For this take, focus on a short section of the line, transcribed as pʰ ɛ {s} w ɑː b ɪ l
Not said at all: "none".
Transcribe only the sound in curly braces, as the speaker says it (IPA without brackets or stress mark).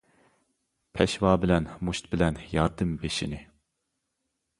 ʃ